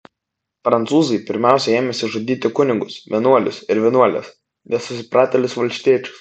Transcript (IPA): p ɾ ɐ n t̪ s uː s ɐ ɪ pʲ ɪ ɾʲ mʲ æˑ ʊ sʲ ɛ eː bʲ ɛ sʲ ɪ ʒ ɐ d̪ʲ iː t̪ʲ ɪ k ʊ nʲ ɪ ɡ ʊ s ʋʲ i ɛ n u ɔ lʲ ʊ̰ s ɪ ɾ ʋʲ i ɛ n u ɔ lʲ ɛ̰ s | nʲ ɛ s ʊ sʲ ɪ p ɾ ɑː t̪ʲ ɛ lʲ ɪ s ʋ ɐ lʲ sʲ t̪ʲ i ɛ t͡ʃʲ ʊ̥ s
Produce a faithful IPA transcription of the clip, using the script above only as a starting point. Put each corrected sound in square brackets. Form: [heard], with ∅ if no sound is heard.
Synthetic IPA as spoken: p ɾ ɐ n t̪ s uː [z] ɐ ɪ pʲ ɪ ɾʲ mʲ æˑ ʊ sʲ ɛ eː [mʲ] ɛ sʲ ɪ ʒ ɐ d̪ʲ iː t̪ʲ ɪ k ʊ nʲ ɪ ɡ ʊ s ʋʲ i ɛ n u ɔ lʲ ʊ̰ s ɪ ɾ ʋʲ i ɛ n u ɔ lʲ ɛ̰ s | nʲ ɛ s ʊ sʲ ɪ p ɾ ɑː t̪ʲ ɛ lʲ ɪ s ʋ ɐ lʲ sʲ t̪ʲ i ɛ t͡ʃʲ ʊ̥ s